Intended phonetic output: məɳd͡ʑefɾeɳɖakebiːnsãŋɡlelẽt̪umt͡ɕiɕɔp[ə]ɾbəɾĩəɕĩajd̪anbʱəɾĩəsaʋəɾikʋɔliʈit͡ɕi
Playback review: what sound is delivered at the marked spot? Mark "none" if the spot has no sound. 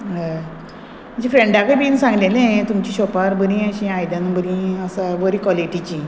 a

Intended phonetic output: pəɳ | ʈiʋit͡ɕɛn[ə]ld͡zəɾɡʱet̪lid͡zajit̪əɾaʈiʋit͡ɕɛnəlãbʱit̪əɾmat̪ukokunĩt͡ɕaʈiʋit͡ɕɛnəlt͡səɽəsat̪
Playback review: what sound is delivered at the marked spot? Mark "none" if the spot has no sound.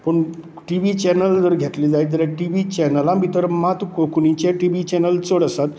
ə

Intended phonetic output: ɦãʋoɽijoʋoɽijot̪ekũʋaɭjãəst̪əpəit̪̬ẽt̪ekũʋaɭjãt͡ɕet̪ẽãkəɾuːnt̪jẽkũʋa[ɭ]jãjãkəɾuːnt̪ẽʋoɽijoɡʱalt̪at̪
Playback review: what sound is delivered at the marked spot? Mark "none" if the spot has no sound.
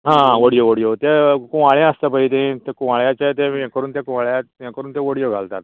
ɭ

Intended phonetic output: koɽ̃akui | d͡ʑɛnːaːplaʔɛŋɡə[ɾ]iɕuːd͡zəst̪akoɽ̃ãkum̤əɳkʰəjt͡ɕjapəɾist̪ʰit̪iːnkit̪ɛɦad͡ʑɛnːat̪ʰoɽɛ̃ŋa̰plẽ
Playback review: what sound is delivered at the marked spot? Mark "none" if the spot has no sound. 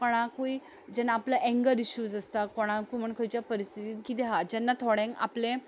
ɾ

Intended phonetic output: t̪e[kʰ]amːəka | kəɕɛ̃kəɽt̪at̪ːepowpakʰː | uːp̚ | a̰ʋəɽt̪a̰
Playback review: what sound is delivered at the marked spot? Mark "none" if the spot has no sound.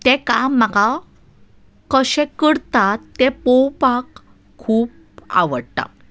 k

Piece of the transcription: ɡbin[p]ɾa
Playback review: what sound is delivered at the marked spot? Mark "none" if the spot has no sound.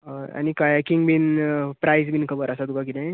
p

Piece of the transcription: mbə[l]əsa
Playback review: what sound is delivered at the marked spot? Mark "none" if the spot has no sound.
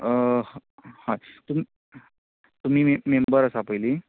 ɾ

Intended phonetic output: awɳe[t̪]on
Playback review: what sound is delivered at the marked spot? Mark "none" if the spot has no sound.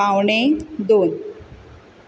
d̪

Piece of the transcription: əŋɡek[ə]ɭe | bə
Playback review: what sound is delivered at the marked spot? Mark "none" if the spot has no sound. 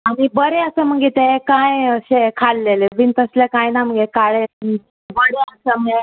a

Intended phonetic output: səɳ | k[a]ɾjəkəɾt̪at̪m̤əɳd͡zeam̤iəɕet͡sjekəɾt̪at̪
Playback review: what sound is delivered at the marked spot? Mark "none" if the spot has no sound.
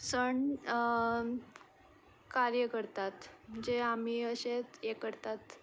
a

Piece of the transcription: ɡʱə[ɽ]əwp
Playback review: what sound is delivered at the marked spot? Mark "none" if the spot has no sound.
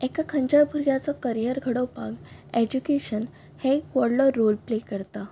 ɽ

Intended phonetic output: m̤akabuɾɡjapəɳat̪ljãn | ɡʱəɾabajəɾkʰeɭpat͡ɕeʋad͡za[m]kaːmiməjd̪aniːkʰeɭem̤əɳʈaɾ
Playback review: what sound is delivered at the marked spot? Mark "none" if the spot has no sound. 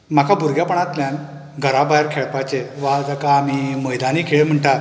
none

